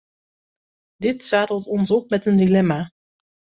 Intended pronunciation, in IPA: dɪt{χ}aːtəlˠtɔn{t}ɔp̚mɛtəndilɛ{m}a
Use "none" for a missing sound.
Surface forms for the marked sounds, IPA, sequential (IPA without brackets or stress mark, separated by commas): s, s, m